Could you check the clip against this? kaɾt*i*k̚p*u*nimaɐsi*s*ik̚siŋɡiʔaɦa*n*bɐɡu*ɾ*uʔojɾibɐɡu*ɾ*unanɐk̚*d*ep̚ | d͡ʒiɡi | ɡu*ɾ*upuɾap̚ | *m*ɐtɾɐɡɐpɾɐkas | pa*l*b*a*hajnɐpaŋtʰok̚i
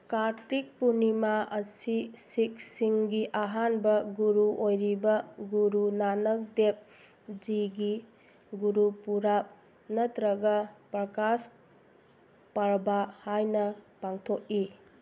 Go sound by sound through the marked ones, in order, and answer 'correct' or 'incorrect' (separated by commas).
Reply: correct, correct, correct, correct, correct, correct, correct, correct, incorrect, incorrect, correct